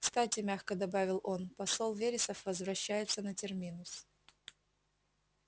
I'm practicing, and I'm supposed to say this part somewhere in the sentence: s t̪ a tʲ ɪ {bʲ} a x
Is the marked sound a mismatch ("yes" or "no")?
yes